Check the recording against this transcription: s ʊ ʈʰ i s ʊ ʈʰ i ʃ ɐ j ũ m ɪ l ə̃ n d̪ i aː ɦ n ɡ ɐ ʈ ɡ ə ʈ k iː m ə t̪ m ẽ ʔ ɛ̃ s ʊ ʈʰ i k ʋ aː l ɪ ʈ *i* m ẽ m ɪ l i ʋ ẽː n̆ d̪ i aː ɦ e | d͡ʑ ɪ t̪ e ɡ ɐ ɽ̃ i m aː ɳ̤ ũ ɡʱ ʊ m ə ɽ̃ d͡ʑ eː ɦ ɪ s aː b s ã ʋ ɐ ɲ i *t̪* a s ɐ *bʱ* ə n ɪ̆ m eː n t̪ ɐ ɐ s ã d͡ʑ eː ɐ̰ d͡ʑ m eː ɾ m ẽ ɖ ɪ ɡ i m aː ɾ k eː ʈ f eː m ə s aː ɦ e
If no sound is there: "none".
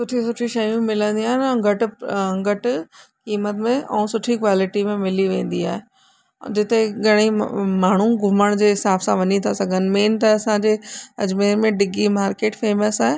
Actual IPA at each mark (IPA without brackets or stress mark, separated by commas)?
i, t̪ʰ, ɡʱ